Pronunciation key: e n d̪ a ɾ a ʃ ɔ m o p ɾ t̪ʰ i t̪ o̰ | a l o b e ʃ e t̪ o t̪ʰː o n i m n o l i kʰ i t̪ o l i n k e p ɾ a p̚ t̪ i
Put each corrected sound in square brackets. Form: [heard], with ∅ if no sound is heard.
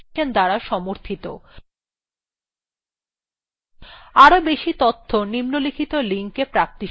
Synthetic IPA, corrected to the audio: e n d̪ a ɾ a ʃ ɔ m o [∅] ɾ t̪ʰ i t̪ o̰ | a [ɾ] o b e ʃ [i] t̪ o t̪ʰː o n i m n o l i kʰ i t̪ o l i [ŋ] k e p ɾ a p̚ t̪ i